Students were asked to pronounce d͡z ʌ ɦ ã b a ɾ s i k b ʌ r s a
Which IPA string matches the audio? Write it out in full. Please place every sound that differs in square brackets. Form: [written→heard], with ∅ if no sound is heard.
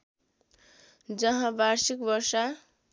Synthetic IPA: d͡z ʌ ɦ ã b a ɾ s i k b ʌ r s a